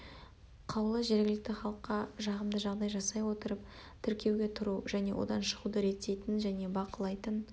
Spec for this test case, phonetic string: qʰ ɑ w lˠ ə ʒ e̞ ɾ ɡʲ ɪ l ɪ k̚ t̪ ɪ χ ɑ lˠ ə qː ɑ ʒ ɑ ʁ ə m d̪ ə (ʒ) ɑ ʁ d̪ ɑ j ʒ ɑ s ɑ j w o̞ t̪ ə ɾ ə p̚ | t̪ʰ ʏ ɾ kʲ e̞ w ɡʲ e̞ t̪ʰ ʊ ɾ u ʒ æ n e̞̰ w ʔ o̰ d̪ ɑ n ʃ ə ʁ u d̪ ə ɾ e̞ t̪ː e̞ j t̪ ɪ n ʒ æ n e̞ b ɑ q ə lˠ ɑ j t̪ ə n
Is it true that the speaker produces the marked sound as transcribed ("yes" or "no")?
yes